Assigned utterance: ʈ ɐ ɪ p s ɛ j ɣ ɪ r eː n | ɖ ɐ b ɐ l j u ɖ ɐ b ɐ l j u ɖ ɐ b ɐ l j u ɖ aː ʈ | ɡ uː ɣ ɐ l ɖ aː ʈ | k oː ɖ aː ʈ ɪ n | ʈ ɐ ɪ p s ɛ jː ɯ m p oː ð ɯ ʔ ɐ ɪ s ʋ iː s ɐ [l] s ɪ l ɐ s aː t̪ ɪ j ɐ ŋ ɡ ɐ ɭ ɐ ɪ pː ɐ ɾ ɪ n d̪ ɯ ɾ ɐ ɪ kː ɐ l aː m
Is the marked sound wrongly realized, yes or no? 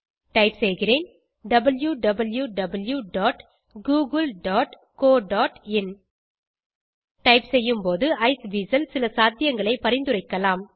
no